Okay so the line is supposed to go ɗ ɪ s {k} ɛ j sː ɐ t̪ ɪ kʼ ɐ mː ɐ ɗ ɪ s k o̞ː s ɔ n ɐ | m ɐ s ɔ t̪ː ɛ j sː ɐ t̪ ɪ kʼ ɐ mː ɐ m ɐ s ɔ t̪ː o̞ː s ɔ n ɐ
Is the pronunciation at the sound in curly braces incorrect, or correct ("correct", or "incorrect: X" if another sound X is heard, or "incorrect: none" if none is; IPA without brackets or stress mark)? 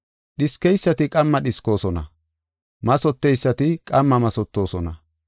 correct